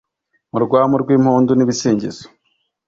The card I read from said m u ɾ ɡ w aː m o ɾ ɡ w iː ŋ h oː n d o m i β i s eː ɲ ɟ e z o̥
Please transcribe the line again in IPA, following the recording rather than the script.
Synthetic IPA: m u ɾ ɡ w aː m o ɾ ɡ w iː m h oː n d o n i β i s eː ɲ ɟ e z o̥